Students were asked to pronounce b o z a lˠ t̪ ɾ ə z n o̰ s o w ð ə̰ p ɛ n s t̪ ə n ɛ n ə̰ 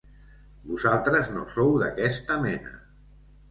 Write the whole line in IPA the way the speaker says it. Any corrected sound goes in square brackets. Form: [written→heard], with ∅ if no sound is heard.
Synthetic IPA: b [o→u] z a lˠ t̪ ɾ ə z n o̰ s o w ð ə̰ [p→k] ɛ [n→∅] s t̪ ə [n→m] ɛ n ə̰